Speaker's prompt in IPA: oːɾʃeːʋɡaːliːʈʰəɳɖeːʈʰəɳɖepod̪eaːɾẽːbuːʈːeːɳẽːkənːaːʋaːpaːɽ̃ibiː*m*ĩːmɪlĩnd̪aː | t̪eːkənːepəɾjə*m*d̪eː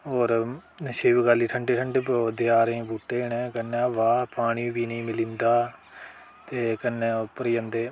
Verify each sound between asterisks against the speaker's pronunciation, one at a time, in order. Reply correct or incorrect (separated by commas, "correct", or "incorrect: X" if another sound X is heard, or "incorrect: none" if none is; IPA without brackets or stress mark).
incorrect: n, incorrect: n